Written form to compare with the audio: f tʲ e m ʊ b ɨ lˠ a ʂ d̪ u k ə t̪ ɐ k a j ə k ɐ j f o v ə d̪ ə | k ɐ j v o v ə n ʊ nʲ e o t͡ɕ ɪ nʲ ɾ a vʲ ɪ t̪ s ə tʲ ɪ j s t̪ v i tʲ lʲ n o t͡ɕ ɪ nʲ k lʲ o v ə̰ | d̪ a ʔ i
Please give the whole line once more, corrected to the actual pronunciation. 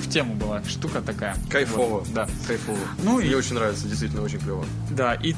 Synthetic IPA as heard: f tʲ e m ʊ b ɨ lˠ a ʂ t̪ u k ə t̪ ɐ k a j ə k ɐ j f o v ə d̪ a | k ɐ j f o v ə n u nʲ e o t͡ɕ ɪ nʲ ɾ a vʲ ɪ t̪ s ə dʲ ɪ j s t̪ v i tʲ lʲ n o t͡ɕ ɪ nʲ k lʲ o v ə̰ | d̪ a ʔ i